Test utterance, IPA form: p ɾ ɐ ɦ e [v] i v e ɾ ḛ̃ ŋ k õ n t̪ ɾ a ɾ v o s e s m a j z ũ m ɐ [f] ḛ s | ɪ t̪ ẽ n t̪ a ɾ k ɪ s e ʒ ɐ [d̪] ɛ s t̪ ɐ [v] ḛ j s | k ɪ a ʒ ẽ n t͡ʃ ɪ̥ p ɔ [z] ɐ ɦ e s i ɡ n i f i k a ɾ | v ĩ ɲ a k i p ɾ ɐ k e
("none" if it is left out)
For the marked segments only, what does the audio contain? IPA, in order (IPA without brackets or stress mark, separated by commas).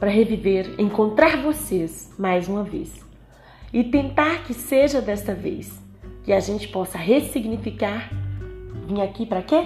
v, v, d̪, v, s